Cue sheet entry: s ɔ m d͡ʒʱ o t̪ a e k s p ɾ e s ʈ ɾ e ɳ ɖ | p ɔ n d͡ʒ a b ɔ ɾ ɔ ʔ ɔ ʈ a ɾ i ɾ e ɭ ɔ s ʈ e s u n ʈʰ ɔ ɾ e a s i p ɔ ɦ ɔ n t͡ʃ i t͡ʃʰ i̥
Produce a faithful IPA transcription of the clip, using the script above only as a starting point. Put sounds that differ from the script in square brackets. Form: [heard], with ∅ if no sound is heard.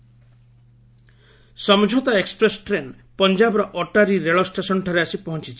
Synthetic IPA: s ɔ m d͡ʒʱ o t̪ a e k s p ɾ e s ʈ ɾ e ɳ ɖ | p ɔ n d͡ʒ a b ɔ ɾ ɔ ʔ ɔ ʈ a ɾ i ɾ e ɭ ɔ s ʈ e s [ɔ] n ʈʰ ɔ ɾ e a s i p ɔ ɦ ɔ n t͡ʃ i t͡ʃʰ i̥